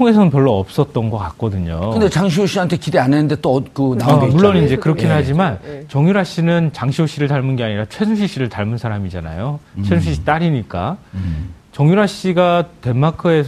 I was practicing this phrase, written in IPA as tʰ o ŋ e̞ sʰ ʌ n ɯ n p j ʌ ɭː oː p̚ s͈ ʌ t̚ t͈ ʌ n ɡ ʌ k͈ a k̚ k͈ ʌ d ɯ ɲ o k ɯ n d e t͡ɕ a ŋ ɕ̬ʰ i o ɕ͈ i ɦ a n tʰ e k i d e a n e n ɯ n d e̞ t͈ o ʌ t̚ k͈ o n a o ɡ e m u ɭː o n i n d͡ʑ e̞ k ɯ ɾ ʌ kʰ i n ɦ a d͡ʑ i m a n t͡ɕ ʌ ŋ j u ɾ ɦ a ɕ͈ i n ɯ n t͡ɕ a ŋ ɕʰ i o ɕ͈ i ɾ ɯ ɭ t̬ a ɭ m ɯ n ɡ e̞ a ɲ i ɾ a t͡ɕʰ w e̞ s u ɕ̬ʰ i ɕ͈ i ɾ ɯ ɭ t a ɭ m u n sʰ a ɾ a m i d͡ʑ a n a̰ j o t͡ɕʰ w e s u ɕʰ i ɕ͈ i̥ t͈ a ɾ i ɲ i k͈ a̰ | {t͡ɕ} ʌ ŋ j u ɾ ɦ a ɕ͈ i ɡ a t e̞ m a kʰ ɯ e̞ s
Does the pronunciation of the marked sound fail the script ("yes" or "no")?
no